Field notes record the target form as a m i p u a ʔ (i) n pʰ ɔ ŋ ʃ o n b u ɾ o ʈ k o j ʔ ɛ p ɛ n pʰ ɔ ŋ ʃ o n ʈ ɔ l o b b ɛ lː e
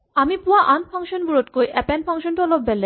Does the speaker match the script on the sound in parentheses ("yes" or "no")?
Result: no